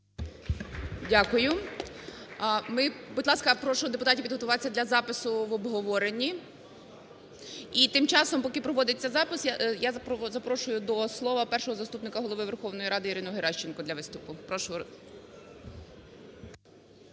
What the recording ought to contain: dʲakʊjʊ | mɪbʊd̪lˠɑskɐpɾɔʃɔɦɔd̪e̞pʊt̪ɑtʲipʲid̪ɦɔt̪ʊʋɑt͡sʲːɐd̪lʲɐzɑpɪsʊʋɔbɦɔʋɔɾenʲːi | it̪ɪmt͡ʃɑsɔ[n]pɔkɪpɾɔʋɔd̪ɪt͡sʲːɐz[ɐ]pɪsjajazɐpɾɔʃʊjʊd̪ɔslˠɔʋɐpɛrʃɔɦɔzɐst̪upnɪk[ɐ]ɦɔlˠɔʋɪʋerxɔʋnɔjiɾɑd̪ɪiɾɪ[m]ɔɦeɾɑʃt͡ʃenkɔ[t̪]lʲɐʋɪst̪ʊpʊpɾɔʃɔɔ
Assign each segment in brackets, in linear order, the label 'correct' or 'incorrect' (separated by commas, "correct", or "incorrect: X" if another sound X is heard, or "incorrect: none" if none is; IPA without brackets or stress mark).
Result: incorrect: m, incorrect: ɑ, correct, incorrect: n, incorrect: d̪